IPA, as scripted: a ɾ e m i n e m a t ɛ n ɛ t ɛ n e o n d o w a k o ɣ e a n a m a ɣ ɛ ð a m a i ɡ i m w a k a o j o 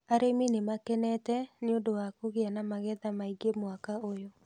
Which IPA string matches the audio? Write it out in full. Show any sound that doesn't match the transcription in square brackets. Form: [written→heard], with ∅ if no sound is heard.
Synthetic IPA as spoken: a ɾ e m i n e m a [t→k] ɛ n ɛ t ɛ n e o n d o w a k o ɣ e a n a m a ɣ ɛ ð a m a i ɡ [i→e] m w a k a o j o